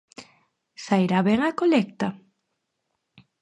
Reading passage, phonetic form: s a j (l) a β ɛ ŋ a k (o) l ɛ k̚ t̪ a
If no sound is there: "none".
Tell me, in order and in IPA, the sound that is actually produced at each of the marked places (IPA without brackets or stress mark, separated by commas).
ɾ, o